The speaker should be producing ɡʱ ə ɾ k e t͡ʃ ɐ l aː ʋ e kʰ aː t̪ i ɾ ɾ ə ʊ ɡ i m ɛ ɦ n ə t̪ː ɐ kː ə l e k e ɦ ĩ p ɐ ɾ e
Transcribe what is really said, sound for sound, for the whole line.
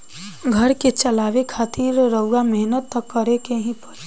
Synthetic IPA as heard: ɡʱ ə ɾ k e t͡ʃ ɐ l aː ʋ e kʰ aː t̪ i ɾ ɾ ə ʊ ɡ a m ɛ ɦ n ə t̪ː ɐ kː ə ɾ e k e ɦ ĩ p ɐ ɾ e